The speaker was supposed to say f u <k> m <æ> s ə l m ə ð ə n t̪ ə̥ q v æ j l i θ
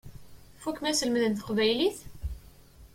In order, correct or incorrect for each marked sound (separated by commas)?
correct, correct